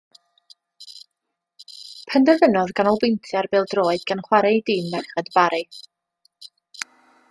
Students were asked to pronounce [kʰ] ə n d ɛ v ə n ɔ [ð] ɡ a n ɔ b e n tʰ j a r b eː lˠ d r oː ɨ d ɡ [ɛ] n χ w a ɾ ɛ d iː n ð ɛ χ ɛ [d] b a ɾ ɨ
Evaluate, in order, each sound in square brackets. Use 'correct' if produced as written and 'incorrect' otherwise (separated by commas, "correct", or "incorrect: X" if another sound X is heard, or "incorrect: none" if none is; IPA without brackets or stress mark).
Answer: incorrect: pʰ, correct, incorrect: a, correct